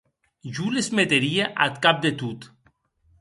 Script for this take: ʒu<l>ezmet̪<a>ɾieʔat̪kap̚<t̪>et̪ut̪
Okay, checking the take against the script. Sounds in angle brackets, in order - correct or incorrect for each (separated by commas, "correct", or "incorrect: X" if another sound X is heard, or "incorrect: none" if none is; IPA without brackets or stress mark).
correct, incorrect: e, incorrect: d̪